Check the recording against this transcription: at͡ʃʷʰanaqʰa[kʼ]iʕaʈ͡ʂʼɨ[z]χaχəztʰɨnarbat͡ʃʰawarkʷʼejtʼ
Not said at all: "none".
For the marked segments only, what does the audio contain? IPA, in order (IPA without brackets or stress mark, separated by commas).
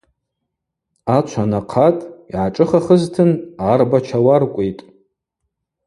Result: tʼ, none